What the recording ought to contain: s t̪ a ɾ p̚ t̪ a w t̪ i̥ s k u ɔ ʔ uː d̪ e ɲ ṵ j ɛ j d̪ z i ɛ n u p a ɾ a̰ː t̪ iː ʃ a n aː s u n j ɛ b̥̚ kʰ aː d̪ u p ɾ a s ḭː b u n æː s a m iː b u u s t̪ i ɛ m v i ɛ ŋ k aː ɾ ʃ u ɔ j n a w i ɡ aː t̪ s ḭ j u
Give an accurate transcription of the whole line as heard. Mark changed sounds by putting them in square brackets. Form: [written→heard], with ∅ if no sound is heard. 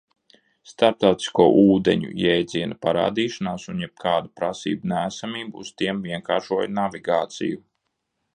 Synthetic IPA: s t̪ a ɾ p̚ t̪ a w t̪ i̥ s k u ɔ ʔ uː d̪ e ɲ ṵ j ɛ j d̪ z i ɛ n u p a ɾ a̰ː [t̪→d̪] iː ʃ a n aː s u n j ɛ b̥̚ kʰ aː d̪ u p ɾ a s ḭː b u n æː s a m iː b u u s t̪ i ɛ m v i ɛ ŋ k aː ɾ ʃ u ɔ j n a [w→v] i ɡ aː t̪ s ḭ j u